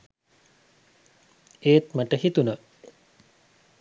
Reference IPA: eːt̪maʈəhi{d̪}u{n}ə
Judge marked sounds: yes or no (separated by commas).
no, yes